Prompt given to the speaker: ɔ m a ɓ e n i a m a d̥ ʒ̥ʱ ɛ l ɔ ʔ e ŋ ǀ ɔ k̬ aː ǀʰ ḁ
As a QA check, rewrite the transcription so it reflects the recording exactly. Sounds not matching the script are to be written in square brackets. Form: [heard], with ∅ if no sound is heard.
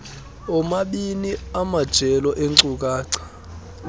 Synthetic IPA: ɔ m a ɓ [i] n i a m a d̥ ʒ̥ʱ ɛ l ɔ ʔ e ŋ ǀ [u] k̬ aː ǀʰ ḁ

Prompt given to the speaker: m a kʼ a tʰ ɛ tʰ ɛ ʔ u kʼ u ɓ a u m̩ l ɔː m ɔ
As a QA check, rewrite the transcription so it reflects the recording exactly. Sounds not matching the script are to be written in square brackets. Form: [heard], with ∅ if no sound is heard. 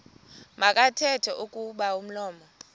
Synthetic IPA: m a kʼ a tʰ ɛ tʰ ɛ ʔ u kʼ u ɓ a u m̩ l ɔː m ɔ

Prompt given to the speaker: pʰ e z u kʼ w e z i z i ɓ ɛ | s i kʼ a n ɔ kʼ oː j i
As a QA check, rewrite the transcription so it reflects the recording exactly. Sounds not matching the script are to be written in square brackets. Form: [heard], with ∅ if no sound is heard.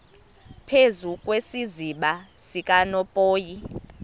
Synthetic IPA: pʰ e z u kʼ w e [s] i z i ɓ [a] | s i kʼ a n ɔ [pʼ] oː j i

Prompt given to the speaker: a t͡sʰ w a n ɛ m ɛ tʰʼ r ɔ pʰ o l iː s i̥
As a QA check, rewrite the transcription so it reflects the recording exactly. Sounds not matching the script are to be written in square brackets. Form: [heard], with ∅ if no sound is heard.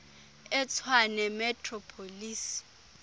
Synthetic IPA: [ɛ] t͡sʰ w a n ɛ m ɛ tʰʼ r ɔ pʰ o l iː s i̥

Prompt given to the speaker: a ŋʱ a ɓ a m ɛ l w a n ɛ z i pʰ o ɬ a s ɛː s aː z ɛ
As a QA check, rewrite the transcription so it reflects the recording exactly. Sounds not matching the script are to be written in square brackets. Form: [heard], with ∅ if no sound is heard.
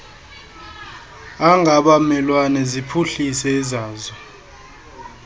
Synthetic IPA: a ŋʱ a ɓ a m ɛ l w a n ɛ z i pʰ [u] ɬ [i] s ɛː [z] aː z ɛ

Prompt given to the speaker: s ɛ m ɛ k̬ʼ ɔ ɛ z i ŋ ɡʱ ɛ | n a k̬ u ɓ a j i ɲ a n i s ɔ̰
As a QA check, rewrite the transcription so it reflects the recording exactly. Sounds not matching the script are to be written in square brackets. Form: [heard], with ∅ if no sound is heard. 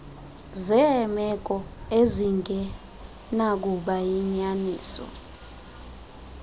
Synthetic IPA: [z] ɛ m ɛ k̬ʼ ɔ [e] z i ŋ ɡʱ ɛ | n a k̬ u ɓ a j i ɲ a n [iː] s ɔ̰

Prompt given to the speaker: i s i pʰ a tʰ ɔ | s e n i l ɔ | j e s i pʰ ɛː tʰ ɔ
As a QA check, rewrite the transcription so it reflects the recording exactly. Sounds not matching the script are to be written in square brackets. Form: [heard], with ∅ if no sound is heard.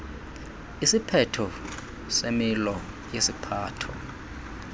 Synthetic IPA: i s i pʰ [ɛ] tʰ ɔ | s e [m] i l ɔ | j e s i pʰ [aː] tʰ ɔ

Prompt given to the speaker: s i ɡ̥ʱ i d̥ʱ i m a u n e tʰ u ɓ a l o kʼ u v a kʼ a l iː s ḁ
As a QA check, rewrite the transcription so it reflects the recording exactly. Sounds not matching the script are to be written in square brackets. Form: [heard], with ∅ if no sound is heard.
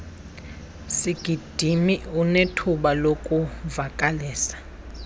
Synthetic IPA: s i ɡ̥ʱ i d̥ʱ i m [i] u n e tʰ u ɓ a l o kʼ u v a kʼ a l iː s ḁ

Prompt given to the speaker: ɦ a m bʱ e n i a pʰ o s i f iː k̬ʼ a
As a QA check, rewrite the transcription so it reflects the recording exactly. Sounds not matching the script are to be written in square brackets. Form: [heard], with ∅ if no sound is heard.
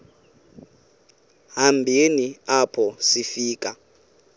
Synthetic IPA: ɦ a m bʱ e n i a pʰ [ɔ] s i f iː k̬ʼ a

